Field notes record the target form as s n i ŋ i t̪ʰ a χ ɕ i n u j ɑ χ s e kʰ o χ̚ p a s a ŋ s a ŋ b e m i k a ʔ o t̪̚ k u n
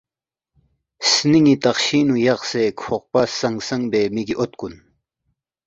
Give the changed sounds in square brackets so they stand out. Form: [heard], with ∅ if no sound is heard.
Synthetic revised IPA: s n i ŋ i [t̪] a χ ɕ i n u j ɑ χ s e kʰ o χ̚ p a s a ŋ s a ŋ b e m i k [i] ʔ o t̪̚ k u n